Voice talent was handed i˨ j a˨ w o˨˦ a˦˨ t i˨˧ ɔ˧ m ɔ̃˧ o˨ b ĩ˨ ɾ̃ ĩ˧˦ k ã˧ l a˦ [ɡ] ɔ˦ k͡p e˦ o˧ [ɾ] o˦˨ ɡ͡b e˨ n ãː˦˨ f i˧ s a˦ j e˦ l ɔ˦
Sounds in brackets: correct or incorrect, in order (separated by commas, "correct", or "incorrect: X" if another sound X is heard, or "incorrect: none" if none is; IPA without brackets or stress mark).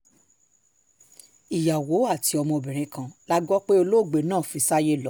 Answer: correct, incorrect: l